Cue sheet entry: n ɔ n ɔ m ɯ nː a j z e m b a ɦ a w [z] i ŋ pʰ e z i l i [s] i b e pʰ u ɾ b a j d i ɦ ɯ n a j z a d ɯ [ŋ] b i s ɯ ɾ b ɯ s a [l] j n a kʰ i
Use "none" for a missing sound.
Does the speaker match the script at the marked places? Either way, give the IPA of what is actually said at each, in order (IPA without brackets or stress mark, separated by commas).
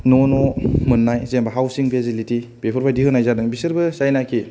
s, t, ŋ, none